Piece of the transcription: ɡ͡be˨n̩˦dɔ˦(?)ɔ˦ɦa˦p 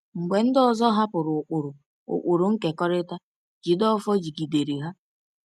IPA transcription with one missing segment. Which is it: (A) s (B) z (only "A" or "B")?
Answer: B